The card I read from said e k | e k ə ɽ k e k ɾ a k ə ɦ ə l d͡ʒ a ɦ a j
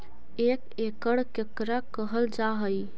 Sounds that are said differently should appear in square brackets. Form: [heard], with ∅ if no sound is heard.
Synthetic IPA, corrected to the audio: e k | e k ə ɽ k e k ɾ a k ə ɦ ə l d͡ʒ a ɦ [ə] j